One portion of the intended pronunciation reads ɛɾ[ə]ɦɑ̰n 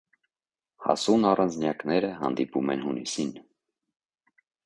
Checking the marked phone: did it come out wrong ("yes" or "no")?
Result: no